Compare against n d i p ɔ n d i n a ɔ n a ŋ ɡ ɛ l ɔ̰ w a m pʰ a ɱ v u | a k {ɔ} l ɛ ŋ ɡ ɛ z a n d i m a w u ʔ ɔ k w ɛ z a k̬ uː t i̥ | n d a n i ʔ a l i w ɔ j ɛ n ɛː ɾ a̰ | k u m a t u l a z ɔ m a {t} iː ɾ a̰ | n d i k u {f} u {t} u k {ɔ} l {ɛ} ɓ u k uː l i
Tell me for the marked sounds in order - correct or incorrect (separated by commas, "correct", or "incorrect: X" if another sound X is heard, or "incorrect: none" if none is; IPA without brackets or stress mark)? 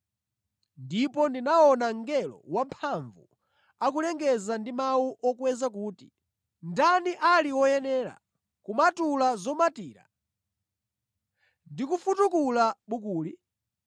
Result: incorrect: u, correct, correct, correct, incorrect: u, incorrect: a